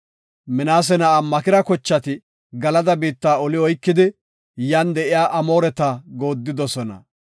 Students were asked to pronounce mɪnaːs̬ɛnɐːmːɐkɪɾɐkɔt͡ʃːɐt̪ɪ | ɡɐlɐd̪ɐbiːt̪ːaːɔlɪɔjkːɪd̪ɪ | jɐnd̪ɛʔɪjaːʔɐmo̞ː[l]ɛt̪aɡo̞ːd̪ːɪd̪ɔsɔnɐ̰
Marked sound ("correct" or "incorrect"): incorrect